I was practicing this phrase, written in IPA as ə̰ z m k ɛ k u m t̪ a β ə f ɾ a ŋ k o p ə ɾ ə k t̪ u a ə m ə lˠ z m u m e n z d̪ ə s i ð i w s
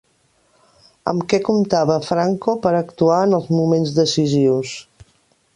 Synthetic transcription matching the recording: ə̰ m k ɛ k u m t̪ a β ə f ɾ a ŋ k o p ə ɾ ə k t̪ u a ə n ə lˠ z m u m e n z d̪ ə s i z i w s

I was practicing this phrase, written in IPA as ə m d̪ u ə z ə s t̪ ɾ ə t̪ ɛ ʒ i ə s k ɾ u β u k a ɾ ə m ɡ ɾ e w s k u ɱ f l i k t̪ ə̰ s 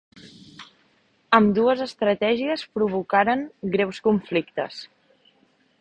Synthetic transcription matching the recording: ə m d̪ u ə z ə s t̪ ɾ ə t̪ ɛ ʒ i ə s p ɾ u β u k a ɾ ə ŋ ɡ ɾ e w s k u ɱ f l i k t̪ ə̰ s

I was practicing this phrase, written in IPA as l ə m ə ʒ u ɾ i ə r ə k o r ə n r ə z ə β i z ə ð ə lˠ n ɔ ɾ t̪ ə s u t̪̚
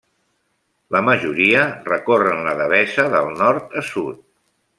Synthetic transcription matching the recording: l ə m ə ʒ u ɾ i ə r ə k o r ə n l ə ð ə β ɛ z ə ð ə lˠ n ɔ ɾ t̪ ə s u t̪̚

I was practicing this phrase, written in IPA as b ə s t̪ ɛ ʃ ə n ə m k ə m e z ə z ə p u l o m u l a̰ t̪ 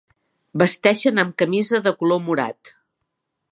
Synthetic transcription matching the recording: b ə s t̪ ɛ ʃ ə n ə m k ə m i z ə ð ə k u l o m u ɾ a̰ t̪

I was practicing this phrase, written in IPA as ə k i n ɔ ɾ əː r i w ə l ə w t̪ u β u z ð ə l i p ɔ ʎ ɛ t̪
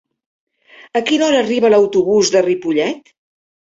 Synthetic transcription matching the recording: ə k i n ɔ ɾ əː r i β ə l ə w t̪ u β u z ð ə r i p u ʎ ɛ t̪

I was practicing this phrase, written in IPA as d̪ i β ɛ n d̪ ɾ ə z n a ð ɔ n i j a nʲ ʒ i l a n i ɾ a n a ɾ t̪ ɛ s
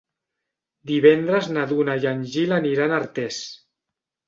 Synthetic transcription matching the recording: d̪ i β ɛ n d̪ ɾ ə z n a ð u n a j a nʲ ʒ i l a n i ɾ a n a ɾ t̪ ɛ s

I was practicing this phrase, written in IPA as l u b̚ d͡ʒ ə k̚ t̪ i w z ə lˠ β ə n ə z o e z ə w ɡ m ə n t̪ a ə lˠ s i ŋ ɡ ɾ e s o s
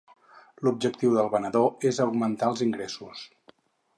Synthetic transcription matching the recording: l u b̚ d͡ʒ ə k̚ t̪ i w ð ə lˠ β ə n ə ð o e z ə w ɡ m ə n t̪ a ə lˠ z i ŋ ɡ ɾ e s u s

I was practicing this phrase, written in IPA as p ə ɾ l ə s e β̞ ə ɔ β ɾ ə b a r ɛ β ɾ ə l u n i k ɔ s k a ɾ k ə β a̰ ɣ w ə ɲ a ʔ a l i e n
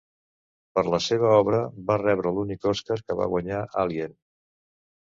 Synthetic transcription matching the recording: p ə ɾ l ə s e β̞ ə ɔ β ɾ ə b a r ɛ β ɾ ə l u n i k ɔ s k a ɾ k ə β a̰ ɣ w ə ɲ a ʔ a l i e n

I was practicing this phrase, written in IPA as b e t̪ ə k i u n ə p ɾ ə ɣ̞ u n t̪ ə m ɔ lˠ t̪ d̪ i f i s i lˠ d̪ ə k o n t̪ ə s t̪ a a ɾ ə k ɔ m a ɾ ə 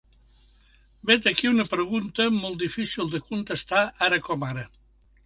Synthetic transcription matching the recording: b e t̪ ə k i u n ə p ɾ ə ɣ̞ u n t̪ ə m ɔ lˠ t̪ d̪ i f i s i lˠ d̪ ə k u n t̪ ə s t̪ a a ɾ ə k ɔ m a ɾ ə

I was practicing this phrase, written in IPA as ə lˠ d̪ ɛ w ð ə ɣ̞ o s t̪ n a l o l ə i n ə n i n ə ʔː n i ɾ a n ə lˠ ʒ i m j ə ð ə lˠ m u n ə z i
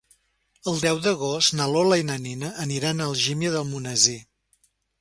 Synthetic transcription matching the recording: ə lˠ d̪ ɛ w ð ə ɣ̞ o s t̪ n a l o l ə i n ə n i n ə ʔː n i ɾ a n ə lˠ ʒ i m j ə ð ə lˠ m u n ə z i

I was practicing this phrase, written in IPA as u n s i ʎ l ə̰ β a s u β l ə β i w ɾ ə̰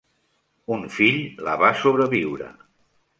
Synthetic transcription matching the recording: u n f i ʎ l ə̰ β a s o β ɾ ə β i w ɾ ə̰

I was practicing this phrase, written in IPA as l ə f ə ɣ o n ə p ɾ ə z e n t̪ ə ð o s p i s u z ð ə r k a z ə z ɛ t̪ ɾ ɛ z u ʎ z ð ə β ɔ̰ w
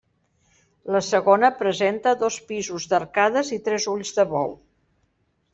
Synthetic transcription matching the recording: l ə s ə ɣ o n ə p ɾ ə z e n t̪ ə ð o s p i z u z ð ə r k a ð ə z i t̪ ɾ ɛ z u ʎ z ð ə β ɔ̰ w

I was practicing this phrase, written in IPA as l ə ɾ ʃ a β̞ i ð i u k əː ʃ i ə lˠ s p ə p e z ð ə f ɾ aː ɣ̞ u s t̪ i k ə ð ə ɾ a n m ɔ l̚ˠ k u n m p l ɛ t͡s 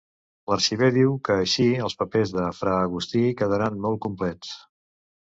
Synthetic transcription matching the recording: l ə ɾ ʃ i β̞ e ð i w k əː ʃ i ə lˠ s p ə p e z ð ə f ɾ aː ɣ̞ u s t̪ i k ə ð ə ɾ a n m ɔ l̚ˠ k u m p l ɛ t͡s

